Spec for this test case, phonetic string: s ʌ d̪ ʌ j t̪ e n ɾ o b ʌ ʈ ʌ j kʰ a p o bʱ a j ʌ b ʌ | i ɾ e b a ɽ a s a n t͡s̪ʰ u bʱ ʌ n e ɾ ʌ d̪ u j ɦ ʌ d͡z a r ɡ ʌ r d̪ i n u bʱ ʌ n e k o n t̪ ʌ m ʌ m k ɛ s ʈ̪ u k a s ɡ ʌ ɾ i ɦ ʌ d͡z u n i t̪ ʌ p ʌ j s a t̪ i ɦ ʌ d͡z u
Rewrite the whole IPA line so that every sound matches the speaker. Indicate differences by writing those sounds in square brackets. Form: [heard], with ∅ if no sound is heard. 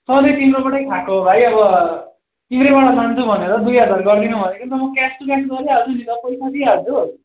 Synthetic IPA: s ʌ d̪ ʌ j t̪ [i] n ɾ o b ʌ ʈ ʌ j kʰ a [k] o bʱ a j ʌ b ʌ | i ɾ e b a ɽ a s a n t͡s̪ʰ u bʱ ʌ n e ɾ ʌ d̪ u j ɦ ʌ d͡z a r ɡ ʌ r d̪ i n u bʱ ʌ n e k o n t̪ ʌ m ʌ [∅] k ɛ s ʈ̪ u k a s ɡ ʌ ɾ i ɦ ʌ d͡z u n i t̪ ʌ p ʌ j s a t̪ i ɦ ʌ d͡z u